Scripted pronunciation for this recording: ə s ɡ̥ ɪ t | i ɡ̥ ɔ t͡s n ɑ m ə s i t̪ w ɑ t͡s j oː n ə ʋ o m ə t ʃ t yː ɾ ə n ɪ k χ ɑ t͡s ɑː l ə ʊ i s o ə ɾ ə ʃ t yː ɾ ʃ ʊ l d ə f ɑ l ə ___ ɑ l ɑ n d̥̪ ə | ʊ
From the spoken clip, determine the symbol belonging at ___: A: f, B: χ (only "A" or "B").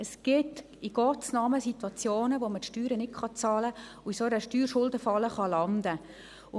B